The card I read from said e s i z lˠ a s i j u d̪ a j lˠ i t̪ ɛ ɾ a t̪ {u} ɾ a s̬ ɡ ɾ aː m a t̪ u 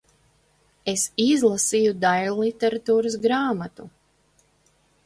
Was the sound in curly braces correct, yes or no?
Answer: no